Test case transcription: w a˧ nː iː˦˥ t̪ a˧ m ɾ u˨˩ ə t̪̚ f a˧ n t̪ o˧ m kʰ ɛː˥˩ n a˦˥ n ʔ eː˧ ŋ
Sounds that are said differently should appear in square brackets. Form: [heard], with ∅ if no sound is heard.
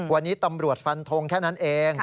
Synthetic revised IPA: w a˧ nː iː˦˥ t̪ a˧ m ɾ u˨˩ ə t̪̚ f a˧ n [t̪ʰ] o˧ [ŋ] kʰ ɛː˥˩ n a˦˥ n ʔ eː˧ ŋ

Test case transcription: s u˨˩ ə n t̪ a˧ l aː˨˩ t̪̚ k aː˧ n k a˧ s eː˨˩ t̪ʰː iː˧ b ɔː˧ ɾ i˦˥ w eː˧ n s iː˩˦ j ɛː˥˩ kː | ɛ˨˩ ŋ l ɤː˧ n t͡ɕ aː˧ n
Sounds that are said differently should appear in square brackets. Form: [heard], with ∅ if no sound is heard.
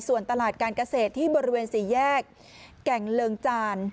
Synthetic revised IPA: s u˨˩ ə n t̪ a˧ l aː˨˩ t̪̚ k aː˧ n k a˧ s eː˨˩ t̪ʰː [iː˥˩] b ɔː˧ ɾ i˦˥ w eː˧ n s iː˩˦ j ɛː˥˩ kː | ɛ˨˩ ŋ l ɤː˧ [ŋ] t͡ɕ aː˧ n

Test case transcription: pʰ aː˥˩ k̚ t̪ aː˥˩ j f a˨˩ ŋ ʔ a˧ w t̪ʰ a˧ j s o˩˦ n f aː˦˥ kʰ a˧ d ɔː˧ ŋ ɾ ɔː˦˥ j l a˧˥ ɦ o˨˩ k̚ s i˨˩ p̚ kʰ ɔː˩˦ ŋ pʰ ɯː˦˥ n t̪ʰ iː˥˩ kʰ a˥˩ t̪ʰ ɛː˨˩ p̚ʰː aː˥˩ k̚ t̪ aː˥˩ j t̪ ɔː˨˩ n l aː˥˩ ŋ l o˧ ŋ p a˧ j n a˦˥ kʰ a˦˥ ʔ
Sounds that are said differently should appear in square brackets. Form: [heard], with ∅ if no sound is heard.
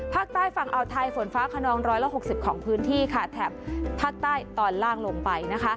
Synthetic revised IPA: pʰ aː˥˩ k̚ t̪ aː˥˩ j f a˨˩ ŋ ʔ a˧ w t̪ʰ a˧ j [f] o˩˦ n f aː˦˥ kʰ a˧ [n] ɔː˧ ŋ ɾ ɔː˦˥ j l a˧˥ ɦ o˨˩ k̚ s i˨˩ p̚ kʰ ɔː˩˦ ŋ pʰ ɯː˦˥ n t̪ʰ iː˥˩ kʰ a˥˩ t̪ʰ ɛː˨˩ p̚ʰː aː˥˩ k̚ t̪ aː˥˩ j t̪ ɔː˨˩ n l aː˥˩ ŋ l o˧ ŋ p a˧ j n a˦˥ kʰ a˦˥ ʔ

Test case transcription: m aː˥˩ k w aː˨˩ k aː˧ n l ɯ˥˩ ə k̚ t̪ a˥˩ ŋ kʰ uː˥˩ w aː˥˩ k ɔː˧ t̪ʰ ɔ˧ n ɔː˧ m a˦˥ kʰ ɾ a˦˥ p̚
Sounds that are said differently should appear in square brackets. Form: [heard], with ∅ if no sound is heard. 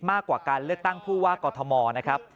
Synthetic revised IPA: m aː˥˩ k w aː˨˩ k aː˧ n l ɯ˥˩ ə k̚ t̪ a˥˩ ŋ [pʰ] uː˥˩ w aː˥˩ k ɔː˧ t̪ʰ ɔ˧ [m] ɔː˧ [n] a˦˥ kʰ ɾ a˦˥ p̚

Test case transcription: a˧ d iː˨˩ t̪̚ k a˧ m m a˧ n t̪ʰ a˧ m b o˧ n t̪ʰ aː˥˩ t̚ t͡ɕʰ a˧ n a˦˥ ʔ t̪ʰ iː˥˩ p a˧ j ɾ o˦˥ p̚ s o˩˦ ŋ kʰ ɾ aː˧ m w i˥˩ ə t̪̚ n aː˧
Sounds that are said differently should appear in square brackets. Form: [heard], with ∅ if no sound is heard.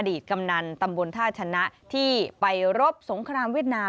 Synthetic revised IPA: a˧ d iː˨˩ t̪̚ k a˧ m [n] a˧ n [t̪] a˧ m b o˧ n t̪ʰ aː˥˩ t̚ t͡ɕʰ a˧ n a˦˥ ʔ t̪ʰ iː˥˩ p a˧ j ɾ o˦˥ p̚ s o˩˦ ŋ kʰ ɾ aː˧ m w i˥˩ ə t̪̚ n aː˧

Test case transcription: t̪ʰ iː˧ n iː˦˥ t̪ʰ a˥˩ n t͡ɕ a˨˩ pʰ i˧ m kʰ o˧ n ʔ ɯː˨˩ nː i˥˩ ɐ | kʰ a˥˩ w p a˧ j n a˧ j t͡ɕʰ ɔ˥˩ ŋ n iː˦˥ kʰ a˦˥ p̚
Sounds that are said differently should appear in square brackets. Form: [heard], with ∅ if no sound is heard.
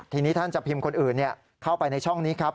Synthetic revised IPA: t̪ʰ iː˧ n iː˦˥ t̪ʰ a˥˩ n t͡ɕ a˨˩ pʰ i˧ m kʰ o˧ n ʔ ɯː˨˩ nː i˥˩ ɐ | kʰ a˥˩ w p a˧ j n a˧ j t͡ɕʰ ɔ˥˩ ŋ n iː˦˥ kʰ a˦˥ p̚

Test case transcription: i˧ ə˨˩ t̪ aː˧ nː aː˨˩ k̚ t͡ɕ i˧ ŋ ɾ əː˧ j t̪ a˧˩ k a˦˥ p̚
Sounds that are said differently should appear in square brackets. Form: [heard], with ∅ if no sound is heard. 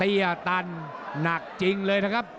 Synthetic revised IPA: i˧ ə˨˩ t̪ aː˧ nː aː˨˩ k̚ t͡ɕ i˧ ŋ [l] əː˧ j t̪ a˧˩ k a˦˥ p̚

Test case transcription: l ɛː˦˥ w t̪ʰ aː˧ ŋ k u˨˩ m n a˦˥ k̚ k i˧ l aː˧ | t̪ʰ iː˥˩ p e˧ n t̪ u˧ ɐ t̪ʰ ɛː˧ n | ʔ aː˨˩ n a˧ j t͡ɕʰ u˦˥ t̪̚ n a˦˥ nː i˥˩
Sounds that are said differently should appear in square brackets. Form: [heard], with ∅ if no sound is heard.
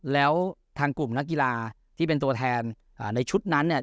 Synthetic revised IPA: l ɛː˦˥ w t̪ʰ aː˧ ŋ k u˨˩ m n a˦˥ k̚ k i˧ l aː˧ | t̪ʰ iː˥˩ p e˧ n t̪ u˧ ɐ t̪ʰ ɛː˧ n | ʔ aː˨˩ n a˧ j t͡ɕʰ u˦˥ t̪̚ n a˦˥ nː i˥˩

